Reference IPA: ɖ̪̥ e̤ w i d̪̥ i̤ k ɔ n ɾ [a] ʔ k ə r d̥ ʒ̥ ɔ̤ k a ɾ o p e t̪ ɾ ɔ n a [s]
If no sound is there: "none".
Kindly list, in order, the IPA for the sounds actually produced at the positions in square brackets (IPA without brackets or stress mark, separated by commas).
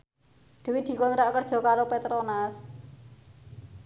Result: a, s